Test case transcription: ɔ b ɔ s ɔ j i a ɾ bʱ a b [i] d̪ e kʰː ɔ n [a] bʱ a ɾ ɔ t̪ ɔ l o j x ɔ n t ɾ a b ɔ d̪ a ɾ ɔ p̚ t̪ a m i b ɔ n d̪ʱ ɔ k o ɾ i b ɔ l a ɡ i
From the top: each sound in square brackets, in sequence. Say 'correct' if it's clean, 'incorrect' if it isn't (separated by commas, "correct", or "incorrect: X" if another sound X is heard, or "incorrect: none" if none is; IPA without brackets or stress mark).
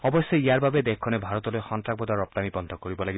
incorrect: e, incorrect: e